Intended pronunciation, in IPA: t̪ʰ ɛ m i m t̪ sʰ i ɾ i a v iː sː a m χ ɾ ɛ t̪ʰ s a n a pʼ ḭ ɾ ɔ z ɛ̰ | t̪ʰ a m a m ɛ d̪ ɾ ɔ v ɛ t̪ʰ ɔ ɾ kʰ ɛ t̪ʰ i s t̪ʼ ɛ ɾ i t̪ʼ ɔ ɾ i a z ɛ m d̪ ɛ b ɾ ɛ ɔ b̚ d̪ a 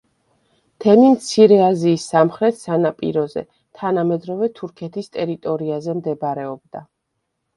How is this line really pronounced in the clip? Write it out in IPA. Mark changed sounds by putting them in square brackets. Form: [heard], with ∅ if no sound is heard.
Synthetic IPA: t̪ʰ ɛ m i m t̪ sʰ i ɾ [ɛ] a [z] iː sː a m χ ɾ ɛ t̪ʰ s a n a pʼ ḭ ɾ ɔ z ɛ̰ | t̪ʰ a [n] a m ɛ d̪ ɾ ɔ v ɛ t̪ʰ [u] ɾ kʰ ɛ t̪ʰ i s t̪ʼ ɛ ɾ i t̪ʼ ɔ ɾ i a z ɛ m d̪ ɛ b ɾ ɛ ɔ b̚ d̪ a